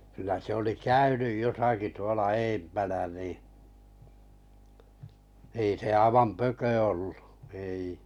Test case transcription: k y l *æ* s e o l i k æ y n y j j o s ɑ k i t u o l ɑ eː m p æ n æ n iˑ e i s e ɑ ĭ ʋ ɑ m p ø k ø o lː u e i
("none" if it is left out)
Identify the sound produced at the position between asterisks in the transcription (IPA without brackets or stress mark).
æ